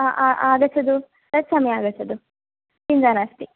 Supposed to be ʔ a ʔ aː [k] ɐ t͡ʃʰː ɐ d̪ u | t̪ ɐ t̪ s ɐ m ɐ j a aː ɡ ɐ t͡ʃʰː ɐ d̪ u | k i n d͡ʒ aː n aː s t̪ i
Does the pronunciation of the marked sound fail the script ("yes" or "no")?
yes